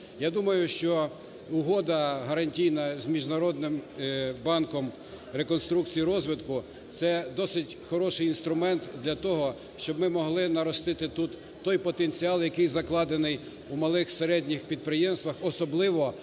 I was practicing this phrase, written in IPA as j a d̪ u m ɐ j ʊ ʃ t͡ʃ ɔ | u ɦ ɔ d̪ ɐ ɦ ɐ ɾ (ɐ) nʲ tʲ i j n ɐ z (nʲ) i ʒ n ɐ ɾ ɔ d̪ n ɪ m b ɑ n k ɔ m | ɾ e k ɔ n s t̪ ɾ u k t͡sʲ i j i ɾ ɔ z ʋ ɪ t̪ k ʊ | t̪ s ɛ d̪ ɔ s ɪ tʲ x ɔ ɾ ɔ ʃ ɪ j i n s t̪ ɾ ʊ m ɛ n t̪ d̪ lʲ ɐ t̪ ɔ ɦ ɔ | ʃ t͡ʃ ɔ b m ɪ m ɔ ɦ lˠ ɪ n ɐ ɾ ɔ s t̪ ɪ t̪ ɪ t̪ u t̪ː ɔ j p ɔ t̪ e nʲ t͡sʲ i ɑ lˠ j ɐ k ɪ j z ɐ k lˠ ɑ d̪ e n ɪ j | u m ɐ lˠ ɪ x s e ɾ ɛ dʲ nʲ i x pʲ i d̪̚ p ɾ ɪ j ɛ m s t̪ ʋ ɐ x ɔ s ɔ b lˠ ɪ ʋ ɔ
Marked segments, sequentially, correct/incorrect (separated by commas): correct, incorrect